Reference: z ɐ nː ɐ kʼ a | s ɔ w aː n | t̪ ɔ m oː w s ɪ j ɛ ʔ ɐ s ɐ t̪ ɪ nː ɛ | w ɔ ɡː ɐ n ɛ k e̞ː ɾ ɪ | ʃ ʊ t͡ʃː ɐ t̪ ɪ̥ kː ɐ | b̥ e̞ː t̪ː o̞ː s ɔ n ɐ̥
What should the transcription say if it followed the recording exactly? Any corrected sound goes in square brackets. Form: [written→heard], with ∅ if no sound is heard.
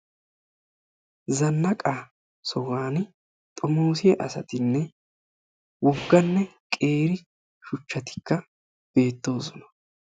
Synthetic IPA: z ɐ nː ɐ kʼ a | s ɔ w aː n | [t̪→t̪ʼ] ɔ m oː [w→∅] s ɪ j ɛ ʔ ɐ s ɐ t̪ ɪ nː ɛ | w ɔ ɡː ɐ [n→nː] ɛ [k→kʼ] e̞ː ɾ ɪ | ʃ ʊ t͡ʃː ɐ t̪ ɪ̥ kː ɐ | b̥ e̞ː t̪ː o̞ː s ɔ n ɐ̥